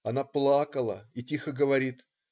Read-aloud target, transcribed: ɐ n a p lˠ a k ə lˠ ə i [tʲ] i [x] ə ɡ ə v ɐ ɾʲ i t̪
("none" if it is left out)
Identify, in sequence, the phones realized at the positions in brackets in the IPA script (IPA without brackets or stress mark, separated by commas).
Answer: tʲ, x